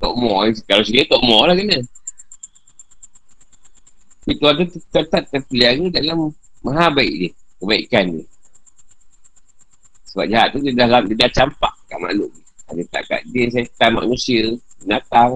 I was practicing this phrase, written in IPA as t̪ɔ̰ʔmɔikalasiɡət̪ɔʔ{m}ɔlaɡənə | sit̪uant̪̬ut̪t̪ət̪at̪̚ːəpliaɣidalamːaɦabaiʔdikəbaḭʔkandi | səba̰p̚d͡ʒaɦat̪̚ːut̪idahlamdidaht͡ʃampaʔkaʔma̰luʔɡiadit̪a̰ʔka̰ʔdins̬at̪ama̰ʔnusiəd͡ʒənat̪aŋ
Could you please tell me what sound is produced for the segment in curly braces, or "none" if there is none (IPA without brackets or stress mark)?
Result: m